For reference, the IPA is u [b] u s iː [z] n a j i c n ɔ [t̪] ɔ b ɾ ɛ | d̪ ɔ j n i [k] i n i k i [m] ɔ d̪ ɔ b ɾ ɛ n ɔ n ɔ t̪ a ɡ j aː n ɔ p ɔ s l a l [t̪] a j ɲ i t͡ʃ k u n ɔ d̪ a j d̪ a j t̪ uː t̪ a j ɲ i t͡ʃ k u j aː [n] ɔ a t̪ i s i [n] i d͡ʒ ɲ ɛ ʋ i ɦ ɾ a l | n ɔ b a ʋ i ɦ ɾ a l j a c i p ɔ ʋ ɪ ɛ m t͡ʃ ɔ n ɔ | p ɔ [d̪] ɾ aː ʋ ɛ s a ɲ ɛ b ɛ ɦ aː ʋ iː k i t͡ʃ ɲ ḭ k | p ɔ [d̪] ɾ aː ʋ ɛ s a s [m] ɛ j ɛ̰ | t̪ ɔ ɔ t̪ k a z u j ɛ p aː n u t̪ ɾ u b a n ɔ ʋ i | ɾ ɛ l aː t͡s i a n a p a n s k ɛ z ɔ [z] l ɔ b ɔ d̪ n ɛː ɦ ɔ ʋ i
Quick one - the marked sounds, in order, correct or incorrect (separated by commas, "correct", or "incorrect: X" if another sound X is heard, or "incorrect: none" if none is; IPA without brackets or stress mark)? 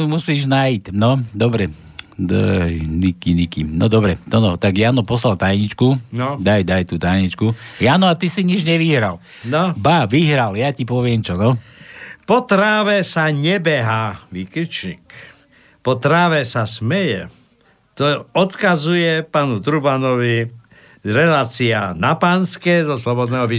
incorrect: m, incorrect: ʒ, incorrect: d̪, correct, incorrect: n, correct, correct, incorrect: ɲ, incorrect: t̪, incorrect: t̪, correct, incorrect: s